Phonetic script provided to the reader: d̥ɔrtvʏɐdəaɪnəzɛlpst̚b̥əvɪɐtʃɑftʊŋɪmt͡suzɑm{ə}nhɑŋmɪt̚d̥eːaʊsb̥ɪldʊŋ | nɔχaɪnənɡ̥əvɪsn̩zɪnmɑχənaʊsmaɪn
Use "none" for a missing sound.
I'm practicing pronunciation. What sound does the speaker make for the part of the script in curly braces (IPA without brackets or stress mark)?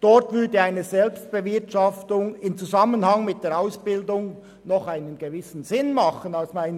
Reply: ə